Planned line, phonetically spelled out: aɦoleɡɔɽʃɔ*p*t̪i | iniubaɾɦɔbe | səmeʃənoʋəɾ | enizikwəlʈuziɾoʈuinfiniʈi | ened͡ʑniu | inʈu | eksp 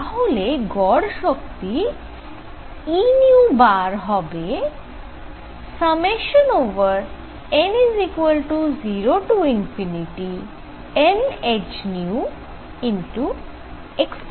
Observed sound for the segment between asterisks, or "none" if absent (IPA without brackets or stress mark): k